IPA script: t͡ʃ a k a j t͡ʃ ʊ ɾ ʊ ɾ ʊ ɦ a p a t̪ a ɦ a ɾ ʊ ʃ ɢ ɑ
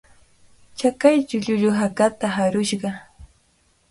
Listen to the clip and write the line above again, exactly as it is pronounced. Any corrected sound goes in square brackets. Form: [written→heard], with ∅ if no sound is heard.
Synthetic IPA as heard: t͡ʃ a k a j t͡ʃ ʊ [ɾ→ʎ] ʊ [ɾ→ʎ] ʊ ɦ a [p→k] a t̪ a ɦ a ɾ ʊ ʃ ɢ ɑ